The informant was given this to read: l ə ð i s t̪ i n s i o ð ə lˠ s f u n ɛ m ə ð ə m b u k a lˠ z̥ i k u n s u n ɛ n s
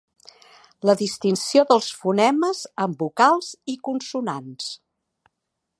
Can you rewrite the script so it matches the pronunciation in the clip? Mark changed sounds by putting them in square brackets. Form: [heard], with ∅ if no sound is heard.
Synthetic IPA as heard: l ə ð i s t̪ i n s i o ð ə lˠ s f u n ɛ m ə [z] ə m b u k a lˠ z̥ i k u n s u n [a] n s